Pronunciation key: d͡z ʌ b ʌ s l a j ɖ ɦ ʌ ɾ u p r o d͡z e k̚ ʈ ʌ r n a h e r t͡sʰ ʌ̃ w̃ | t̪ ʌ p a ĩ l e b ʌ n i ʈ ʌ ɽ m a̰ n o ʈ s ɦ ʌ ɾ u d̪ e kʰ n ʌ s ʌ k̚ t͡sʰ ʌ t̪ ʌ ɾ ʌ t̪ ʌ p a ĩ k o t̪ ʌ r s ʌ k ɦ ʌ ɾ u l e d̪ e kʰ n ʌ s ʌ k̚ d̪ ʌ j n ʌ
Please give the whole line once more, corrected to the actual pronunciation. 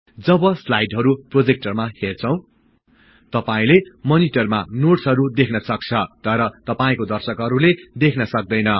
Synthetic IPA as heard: d͡z ʌ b ʌ s l a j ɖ ɦ ʌ ɾ u p r o d͡z e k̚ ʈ ʌ r m a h e r t͡sʰ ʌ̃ w̃ | t̪ ʌ p a ĩ l e m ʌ n i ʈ ʌ r m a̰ n o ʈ s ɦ ʌ ɾ u d̪ e kʰ n ʌ s ʌ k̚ t͡sʰ ʌ t̪ ʌ ɾ ʌ t̪ ʌ p a ĩ k o d̪ ʌ r s ʌ k ɦ ʌ ɾ u l e d̪ e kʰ n ʌ s ʌ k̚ d̪ ʌ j n ʌ